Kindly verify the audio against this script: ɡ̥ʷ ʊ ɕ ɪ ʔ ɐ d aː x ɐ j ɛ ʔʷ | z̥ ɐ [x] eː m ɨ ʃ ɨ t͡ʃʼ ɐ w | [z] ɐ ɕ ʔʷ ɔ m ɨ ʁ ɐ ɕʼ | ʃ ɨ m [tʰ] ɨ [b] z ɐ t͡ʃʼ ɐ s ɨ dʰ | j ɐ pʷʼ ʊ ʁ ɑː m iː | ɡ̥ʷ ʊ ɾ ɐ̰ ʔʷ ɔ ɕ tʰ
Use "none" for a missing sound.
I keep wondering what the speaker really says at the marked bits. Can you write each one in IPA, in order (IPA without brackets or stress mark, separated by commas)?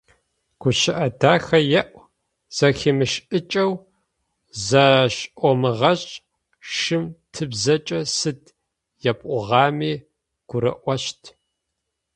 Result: x, z, tʰ, b